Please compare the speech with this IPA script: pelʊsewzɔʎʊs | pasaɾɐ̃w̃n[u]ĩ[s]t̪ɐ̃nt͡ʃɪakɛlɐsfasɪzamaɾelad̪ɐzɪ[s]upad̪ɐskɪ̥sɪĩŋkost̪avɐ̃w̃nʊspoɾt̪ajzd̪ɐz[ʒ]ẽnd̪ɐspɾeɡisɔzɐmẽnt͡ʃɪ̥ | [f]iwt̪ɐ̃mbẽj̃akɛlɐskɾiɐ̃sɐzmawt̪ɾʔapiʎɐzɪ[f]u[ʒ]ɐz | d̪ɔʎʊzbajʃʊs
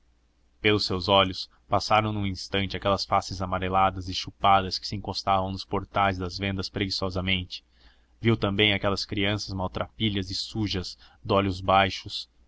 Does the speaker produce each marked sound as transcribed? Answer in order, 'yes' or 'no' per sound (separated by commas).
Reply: no, yes, no, no, no, no, yes